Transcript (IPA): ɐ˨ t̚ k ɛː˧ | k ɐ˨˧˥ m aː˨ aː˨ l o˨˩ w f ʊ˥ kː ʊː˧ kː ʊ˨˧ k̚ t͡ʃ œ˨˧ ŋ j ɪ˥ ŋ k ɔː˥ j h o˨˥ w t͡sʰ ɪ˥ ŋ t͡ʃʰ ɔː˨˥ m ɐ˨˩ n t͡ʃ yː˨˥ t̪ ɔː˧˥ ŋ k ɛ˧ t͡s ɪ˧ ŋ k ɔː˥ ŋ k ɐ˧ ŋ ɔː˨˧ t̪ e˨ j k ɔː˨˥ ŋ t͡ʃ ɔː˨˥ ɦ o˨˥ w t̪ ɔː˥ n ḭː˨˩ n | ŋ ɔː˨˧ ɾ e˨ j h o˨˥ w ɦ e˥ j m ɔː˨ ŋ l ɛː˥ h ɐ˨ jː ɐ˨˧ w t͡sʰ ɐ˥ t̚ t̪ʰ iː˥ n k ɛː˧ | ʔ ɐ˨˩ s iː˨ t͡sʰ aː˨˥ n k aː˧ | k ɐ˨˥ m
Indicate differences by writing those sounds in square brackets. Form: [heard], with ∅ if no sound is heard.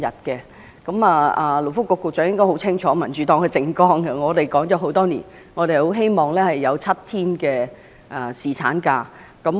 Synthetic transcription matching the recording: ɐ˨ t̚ k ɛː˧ | k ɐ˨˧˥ m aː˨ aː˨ l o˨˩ w f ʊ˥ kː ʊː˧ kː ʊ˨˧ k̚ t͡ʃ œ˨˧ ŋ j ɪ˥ ŋ k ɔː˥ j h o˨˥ w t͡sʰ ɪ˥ ŋ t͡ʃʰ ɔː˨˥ m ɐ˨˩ n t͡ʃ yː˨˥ t̪ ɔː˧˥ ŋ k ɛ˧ t͡s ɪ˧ ŋ k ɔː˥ ŋ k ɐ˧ ŋ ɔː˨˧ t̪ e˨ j k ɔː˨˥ ŋ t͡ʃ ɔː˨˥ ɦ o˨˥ w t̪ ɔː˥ n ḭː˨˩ n | ŋ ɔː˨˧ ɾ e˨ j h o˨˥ w ɦ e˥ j m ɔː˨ ŋ l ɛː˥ h ɐ˨ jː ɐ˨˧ w t͡sʰ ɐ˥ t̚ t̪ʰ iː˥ n k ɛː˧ | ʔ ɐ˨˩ s iː˨ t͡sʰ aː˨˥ n k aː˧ | k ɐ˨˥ m